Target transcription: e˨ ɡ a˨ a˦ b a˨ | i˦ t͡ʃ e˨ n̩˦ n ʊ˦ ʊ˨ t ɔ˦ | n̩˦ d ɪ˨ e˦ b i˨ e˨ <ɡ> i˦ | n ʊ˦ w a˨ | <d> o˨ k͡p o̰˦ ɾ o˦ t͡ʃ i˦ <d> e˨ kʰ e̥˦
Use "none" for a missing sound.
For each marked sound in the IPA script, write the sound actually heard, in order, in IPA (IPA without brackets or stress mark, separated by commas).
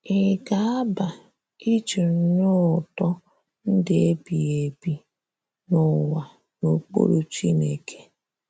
b, n, n